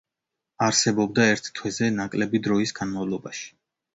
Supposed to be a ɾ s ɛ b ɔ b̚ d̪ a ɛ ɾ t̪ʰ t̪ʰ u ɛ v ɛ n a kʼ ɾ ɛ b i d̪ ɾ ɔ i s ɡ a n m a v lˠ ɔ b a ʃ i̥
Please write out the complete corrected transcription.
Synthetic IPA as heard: a ɾ s ɛ b ɔ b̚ d̪ a ɛ ɾ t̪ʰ t̪ʰ w ɛ z ɛ n a kʼ l ɛ b i d̪ ɾ ɔ i s ɡ a n m a v lˠ ɔ b a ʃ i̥